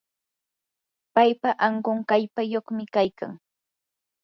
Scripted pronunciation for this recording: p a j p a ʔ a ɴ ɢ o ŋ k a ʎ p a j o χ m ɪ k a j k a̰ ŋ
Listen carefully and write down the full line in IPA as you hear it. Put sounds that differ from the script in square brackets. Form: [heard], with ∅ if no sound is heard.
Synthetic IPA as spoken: p a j p a ʔ a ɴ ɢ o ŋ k a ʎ p a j o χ m ɪ k a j k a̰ ŋ